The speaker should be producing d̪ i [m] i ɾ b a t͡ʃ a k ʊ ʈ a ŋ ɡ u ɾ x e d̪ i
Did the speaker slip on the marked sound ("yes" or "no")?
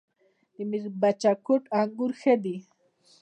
no